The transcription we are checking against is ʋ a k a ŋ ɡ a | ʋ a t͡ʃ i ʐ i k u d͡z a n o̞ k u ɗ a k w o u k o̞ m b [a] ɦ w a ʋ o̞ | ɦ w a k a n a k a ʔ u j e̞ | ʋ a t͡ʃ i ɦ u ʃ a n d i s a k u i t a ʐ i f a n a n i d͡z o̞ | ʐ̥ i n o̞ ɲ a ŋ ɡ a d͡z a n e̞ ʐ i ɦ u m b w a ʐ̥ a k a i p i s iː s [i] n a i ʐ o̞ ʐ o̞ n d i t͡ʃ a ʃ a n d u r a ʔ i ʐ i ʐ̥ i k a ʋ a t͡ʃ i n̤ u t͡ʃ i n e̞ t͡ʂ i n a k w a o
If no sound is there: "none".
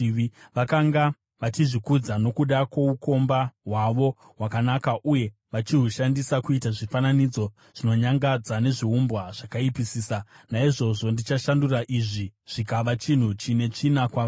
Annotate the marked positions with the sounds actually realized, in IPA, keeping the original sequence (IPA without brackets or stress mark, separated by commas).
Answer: a, a